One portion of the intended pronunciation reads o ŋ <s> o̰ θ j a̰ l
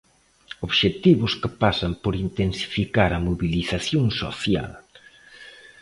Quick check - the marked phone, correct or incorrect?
correct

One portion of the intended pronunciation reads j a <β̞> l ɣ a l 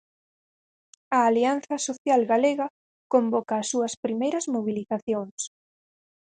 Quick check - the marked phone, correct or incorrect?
incorrect: none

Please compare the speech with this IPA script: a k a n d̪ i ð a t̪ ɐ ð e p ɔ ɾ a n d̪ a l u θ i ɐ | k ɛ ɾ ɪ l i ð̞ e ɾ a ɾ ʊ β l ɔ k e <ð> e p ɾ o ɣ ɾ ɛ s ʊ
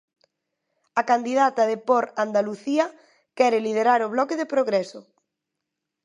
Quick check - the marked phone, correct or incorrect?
correct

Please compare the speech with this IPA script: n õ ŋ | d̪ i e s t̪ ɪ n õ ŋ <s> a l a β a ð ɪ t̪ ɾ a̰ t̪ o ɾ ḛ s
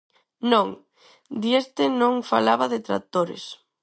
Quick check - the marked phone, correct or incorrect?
incorrect: f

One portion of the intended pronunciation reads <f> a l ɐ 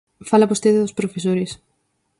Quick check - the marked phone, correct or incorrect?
correct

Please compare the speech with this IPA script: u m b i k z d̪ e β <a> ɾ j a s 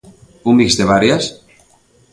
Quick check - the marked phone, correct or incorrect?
correct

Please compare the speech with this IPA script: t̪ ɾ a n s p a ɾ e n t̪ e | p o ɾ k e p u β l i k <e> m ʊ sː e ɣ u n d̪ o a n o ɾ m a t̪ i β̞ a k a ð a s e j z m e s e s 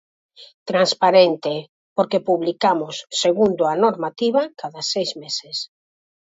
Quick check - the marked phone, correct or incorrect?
incorrect: a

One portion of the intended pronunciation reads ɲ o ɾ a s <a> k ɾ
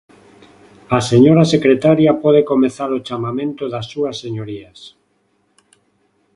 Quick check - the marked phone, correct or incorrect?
incorrect: e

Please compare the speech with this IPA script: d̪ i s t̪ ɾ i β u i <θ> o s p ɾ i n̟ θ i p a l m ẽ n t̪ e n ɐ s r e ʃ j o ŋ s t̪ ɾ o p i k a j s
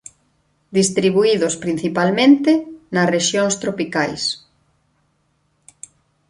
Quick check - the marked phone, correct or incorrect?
incorrect: ð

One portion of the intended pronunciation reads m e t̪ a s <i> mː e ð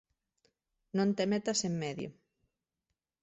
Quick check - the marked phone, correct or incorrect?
incorrect: e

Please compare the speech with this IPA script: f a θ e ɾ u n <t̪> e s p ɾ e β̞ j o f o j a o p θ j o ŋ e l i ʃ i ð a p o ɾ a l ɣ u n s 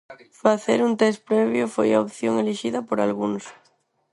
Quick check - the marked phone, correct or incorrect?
correct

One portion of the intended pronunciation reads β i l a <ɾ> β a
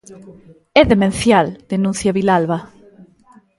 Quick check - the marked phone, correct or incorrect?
incorrect: l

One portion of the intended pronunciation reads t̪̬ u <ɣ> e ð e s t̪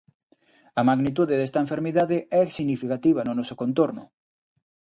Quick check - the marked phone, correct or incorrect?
incorrect: ð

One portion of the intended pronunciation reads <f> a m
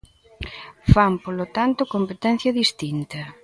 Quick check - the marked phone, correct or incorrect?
correct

